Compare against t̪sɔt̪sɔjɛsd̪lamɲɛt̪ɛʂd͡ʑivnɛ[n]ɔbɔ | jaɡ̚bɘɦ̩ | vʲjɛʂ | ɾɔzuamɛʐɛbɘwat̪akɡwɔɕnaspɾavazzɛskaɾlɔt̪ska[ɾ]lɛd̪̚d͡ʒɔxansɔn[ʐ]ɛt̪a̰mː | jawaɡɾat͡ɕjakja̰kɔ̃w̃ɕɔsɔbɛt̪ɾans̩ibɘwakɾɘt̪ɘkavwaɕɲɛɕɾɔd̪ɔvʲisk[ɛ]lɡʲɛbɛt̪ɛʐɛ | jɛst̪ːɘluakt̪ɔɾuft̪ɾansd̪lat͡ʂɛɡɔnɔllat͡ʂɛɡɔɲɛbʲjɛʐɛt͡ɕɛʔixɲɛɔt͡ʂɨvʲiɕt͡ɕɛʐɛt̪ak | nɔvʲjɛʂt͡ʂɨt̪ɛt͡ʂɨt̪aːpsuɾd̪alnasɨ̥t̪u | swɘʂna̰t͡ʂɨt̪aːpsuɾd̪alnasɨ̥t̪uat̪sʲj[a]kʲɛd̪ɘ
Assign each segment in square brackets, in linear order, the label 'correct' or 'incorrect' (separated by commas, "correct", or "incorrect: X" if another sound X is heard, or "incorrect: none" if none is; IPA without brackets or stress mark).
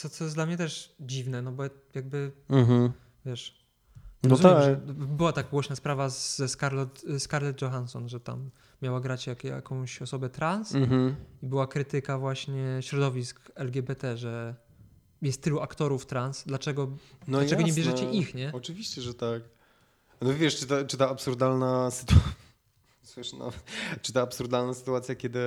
correct, correct, correct, correct, correct